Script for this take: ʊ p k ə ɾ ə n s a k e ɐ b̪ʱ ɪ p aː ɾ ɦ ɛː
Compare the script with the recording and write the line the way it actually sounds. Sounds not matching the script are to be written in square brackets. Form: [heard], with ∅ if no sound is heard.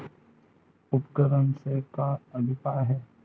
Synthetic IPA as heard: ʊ p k ə ɾ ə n s [e] k [a] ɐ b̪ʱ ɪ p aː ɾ ɦ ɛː